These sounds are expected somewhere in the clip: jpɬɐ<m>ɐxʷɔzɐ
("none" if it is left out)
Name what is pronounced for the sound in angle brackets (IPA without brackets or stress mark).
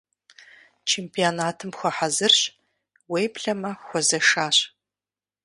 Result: m